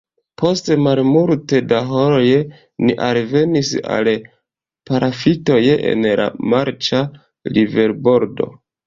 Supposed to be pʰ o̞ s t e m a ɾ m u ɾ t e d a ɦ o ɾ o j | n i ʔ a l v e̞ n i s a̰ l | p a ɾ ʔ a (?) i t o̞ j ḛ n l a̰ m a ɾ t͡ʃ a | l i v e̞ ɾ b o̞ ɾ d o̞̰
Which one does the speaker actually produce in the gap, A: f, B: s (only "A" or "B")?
A